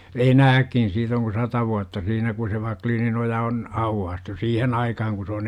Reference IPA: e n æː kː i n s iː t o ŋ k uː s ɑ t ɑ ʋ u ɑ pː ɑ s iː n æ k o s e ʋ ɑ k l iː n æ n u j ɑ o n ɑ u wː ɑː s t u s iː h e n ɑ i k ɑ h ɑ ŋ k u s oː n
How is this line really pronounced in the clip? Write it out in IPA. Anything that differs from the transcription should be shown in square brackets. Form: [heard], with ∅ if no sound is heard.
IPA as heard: e n æː kː i n s iː t o ŋ k [u] s ɑ t ɑ ʋ u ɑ [tː] ɑ s iː n æ k [u] s e ʋ ɑ k l iː n [i] n [o] j ɑ o n ɑ u wː ɑː s t u s iː h e n ɑ i k ɑ h ɑ ŋ k u s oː n